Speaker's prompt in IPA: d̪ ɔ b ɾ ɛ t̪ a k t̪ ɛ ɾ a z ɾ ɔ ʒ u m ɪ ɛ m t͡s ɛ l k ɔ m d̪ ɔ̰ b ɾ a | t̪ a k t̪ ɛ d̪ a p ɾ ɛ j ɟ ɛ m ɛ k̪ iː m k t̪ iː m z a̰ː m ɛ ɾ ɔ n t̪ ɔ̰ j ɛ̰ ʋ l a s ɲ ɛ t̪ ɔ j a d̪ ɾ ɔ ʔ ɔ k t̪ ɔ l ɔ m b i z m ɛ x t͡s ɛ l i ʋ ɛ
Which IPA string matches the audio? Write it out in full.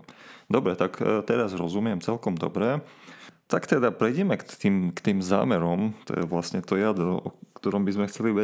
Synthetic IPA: d̪ ɔ b ɾ ɛ t̪ a k t̪ ɛ ɾ a z ɾ ɔ z u m ɪ ɛ m t͡s ɛ l k ɔ m d̪ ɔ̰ b ɾ ɛ | t̪ a k t̪ ɛ d̪ a p ɾ ɛ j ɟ ɛ m ɛ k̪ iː m k t̪ iː m z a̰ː m ɛ ɾ ɔ m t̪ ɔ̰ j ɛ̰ ʋ l a s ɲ ɛ t̪ ɔ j a d̪ ɾ ɔ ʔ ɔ k t̪ ɔ ɾ ɔ m b i z m ɛ x t͡s ɛ l i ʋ ɛ